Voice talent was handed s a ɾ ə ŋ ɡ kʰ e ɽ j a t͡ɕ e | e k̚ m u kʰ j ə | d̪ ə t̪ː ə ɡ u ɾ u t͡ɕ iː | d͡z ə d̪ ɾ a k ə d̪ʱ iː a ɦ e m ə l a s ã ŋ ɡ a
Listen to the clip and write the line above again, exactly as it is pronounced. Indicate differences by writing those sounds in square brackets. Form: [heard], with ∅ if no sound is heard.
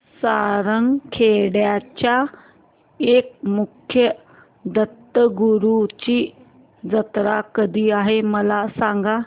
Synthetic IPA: s a ɾ ə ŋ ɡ kʰ e ɽ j a t͡ɕ [a] | e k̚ m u kʰ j ə | d̪ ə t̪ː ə ɡ u ɾ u t͡ɕ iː | d͡z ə [t̪] ɾ a k ə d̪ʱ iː a ɦ e m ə l a s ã ŋ ɡ a